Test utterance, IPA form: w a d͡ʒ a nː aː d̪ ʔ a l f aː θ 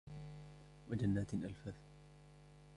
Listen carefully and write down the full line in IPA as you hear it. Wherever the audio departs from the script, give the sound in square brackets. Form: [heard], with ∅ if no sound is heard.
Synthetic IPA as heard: w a d͡ʒ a nː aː [t̪] ʔ a l f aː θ

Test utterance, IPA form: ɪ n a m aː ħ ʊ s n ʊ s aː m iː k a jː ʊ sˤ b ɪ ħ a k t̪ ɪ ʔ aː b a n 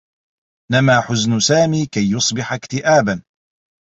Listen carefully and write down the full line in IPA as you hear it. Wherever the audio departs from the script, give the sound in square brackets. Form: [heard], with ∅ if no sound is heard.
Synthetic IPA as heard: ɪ n a m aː ħ ʊ [z] n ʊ s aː m iː k a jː ʊ sˤ b ɪ ħ a k t̪ ɪ ʔ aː b a n

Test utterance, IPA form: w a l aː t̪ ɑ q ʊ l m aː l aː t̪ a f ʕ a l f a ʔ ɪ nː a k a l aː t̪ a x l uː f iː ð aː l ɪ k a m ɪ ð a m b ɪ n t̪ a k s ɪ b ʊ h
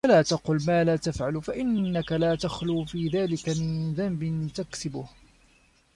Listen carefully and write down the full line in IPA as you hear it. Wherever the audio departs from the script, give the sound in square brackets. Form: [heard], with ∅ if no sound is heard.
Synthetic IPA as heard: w a l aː t̪ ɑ q ʊ l m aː l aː t̪ a f ʕ a l f a ʔ ɪ nː a k a l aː t̪ a x l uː f iː ð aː l ɪ k a m ɪ ð a m b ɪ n t̪ a k s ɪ b ʊ h

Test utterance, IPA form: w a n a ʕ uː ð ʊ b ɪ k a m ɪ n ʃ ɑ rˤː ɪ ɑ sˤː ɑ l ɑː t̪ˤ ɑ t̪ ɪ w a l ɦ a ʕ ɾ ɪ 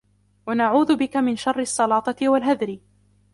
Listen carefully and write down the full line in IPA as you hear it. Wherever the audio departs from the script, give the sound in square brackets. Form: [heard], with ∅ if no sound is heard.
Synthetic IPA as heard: w a n a ʕ uː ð ʊ b ɪ k a m ɪ n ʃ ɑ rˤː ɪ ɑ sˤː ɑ l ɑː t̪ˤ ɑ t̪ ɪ w a l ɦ a [ð] ɾ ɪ

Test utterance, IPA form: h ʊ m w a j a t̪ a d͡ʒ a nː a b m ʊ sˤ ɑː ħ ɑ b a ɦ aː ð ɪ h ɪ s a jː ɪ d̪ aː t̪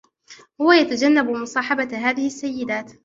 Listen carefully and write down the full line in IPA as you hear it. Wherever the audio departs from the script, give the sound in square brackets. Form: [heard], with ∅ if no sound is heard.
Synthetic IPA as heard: h ʊ [∅] w a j a t̪ a d͡ʒ a nː a b m ʊ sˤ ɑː ħ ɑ b a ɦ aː ð ɪ h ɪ [sː] a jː ɪ d̪ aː t̪

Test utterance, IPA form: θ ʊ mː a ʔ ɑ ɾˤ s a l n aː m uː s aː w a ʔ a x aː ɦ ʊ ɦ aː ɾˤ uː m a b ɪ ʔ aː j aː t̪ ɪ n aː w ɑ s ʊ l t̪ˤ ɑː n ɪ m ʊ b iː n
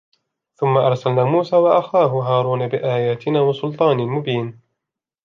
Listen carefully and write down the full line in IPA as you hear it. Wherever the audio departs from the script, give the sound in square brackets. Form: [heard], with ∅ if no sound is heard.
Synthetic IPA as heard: θ ʊ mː a ʔ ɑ ɾˤ s a l n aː m uː s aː w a ʔ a x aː ɦ ʊ ɦ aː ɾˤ uː [n] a b ɪ ʔ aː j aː t̪ ɪ n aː w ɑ s ʊ l t̪ˤ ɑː n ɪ m ʊ b iː n

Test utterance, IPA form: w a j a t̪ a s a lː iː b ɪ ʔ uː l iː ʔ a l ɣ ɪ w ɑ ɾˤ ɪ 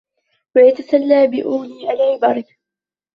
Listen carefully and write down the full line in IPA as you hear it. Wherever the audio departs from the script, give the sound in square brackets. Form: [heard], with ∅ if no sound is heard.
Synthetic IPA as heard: w a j a t̪ a s a lː [aː] b ɪ ʔ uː l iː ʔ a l [ʕ] ɪ [b] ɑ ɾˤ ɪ

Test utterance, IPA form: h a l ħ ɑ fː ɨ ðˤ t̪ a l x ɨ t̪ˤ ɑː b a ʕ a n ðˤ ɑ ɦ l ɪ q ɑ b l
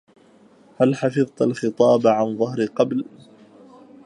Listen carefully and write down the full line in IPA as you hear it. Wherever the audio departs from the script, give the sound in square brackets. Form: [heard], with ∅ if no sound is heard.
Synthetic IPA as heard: h a l ħ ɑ [f] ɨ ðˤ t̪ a l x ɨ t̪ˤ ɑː b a ʕ a n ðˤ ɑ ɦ [ɾ] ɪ q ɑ b l

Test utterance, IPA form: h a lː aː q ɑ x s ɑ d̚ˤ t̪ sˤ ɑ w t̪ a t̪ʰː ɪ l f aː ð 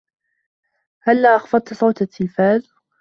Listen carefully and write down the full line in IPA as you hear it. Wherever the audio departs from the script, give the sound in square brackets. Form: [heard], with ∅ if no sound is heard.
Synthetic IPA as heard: h a lː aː [ʔ] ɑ x [f] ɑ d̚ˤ t̪ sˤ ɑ w t̪ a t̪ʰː ɪ l f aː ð

